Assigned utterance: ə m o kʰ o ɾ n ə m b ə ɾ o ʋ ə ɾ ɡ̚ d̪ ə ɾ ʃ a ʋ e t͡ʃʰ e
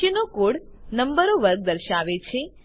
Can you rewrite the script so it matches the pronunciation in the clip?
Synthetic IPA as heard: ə n o k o ɽ n ə m b ə ɾ o ʋ ə ɾ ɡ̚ d̪ ə ɾ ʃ a ʋ e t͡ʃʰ e